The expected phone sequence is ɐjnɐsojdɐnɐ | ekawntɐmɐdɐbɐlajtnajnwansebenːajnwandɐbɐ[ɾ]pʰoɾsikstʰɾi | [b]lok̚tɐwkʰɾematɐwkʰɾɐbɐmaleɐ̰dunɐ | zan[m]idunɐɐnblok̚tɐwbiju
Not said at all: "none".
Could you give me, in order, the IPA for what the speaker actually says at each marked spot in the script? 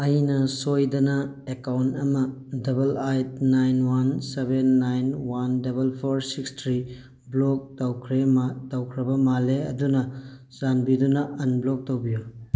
l, b, b

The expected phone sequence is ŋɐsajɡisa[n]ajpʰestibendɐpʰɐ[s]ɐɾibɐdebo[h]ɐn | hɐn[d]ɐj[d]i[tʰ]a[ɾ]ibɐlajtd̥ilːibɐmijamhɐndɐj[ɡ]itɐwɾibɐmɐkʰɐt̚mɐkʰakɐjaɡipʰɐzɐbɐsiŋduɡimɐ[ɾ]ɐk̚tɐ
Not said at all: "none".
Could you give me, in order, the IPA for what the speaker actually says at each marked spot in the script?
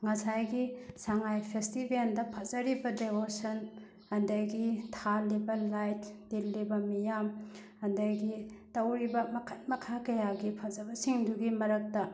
ŋ, z, s, d, ɡ, tʰ, l, ɡ, ɾ

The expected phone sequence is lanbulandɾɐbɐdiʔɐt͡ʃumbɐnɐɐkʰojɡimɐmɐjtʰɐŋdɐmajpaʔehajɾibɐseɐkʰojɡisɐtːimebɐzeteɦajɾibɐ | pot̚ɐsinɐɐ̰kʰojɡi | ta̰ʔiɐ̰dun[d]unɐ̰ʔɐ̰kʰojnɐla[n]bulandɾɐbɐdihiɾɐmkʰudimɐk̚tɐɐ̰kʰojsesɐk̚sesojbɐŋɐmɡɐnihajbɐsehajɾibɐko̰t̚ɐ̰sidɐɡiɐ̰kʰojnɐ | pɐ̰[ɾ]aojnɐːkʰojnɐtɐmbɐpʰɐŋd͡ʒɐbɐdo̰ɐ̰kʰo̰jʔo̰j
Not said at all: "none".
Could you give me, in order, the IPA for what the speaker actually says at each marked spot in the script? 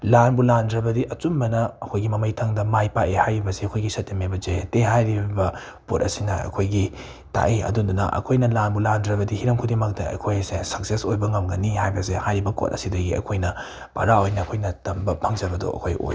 d, n, ɾ

